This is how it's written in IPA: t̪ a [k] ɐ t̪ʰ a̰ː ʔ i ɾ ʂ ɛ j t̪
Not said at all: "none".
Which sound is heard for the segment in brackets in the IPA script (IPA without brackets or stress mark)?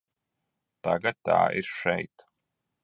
ɡ